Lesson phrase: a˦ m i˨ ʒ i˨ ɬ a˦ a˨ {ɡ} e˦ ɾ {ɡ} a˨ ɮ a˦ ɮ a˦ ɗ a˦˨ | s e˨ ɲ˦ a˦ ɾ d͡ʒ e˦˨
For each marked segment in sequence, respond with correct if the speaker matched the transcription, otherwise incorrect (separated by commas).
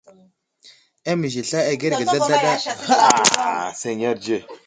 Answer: correct, correct